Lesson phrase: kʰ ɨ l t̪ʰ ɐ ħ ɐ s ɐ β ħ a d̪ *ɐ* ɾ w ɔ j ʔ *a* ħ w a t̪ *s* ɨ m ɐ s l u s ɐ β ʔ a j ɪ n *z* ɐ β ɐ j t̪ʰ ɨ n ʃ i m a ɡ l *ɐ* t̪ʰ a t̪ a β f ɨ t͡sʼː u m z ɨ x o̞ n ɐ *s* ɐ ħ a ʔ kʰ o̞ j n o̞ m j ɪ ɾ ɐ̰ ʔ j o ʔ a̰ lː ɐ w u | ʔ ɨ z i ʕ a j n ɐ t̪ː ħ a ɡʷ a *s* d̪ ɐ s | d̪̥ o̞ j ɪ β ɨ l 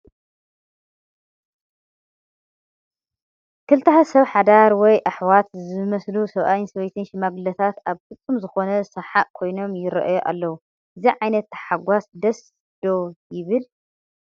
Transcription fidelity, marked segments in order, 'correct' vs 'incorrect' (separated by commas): incorrect, correct, incorrect, incorrect, correct, correct, correct